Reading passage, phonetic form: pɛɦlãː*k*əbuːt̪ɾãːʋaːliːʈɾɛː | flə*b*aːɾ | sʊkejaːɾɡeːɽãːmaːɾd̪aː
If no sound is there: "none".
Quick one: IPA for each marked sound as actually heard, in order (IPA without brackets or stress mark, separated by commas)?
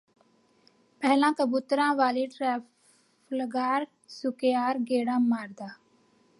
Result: k, ɡ